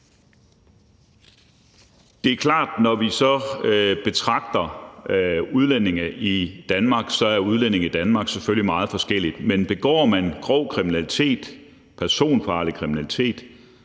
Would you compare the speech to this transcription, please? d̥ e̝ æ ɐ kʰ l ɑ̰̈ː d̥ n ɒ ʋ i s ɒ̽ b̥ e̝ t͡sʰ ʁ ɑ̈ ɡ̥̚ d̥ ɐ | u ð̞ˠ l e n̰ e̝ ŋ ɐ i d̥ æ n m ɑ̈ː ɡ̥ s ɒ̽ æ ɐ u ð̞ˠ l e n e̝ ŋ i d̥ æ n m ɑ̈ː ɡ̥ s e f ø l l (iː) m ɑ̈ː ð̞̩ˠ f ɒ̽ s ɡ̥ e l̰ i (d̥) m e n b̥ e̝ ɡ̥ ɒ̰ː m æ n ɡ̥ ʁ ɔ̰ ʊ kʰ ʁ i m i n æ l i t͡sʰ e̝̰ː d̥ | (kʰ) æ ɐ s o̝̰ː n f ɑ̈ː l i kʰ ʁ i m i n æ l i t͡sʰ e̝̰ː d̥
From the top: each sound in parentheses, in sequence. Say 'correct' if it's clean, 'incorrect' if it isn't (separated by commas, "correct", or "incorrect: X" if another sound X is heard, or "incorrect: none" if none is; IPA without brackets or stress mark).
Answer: incorrect: i, correct, incorrect: pʰ